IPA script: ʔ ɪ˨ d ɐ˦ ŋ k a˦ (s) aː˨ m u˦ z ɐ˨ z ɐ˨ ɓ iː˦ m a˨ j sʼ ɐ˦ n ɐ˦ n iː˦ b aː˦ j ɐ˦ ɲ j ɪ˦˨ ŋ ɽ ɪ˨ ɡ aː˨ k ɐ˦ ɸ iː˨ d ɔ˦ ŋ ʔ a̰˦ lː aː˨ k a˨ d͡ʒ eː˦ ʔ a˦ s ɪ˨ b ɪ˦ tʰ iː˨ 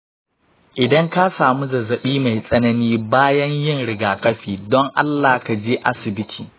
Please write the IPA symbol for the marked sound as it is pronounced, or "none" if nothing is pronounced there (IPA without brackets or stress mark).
s